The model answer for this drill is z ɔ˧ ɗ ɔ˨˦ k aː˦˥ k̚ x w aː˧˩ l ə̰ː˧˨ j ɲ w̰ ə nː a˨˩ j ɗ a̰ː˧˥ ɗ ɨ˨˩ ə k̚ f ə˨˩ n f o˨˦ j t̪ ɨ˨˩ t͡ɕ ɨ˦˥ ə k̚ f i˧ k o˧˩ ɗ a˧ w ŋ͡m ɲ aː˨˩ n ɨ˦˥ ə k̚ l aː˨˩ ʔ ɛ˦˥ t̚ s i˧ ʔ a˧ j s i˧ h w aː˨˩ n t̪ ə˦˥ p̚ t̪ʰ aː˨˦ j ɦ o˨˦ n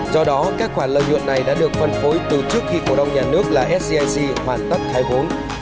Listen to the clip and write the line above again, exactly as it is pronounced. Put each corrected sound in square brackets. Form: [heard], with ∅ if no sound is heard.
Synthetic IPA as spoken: z ɔ˧ ɗ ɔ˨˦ k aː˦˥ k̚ x w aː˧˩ l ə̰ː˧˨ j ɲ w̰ ə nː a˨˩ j ɗ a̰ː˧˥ ɗ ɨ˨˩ ə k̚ f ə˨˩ n f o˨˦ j t̪ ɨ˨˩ t͡ɕ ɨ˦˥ ə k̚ [x] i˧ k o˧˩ ɗ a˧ w ŋ͡m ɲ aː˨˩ n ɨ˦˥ ə k̚ l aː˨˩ ʔ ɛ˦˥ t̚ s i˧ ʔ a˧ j s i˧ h w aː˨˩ n t̪ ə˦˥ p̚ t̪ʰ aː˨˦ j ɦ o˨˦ n